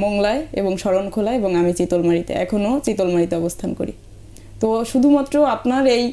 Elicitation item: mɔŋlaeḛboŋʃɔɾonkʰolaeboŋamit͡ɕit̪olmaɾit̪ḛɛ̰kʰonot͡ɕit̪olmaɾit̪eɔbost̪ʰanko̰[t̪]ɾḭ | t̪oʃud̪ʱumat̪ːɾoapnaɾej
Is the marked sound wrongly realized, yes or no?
yes